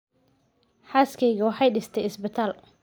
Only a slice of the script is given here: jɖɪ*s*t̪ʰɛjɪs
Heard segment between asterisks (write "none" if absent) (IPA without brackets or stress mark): s